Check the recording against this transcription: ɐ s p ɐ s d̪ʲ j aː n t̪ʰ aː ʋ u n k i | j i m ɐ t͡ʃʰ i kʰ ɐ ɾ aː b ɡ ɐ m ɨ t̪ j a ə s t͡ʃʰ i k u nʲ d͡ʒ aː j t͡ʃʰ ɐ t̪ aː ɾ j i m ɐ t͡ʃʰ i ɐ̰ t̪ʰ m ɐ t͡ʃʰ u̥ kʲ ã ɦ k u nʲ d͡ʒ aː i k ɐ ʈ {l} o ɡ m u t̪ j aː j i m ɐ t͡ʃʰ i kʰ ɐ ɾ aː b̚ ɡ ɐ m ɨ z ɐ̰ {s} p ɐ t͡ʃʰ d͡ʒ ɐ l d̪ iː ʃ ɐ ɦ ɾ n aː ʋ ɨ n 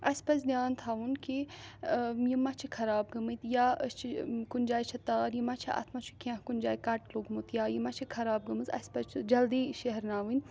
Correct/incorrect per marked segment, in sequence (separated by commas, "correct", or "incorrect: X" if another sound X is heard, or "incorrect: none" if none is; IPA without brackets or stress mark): correct, correct